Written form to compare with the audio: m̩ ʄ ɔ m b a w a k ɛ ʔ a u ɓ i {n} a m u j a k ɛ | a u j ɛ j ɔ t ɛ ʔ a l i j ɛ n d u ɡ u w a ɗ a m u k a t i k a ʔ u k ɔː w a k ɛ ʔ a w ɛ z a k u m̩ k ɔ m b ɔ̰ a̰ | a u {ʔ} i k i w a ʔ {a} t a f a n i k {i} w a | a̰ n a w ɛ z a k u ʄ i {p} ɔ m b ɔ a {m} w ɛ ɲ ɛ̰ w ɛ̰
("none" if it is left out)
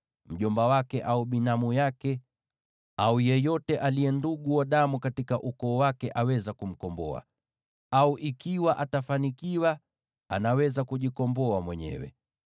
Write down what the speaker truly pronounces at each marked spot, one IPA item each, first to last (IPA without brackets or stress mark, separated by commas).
n, ʔ, a, i, k, m